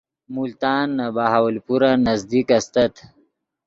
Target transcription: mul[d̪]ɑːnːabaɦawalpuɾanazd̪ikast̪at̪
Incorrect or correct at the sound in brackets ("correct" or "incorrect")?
incorrect